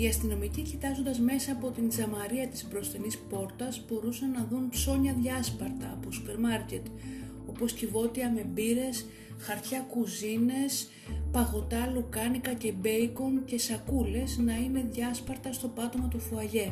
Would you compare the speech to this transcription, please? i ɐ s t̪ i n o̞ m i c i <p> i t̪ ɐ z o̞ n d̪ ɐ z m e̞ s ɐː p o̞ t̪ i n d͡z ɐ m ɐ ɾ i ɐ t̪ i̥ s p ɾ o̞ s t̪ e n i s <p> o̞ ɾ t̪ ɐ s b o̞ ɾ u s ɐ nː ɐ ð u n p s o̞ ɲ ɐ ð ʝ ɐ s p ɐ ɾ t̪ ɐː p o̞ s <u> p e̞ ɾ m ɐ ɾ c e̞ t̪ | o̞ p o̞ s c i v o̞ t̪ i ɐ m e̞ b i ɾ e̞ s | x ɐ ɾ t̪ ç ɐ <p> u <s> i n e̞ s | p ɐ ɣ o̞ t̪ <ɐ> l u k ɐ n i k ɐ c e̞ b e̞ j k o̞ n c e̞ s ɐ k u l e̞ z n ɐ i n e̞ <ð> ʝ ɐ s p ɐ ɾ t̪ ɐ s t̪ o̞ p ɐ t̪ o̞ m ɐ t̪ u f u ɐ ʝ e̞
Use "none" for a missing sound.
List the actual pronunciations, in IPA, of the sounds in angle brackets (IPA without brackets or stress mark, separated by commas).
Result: c, p, u, k, z, ɐ, ð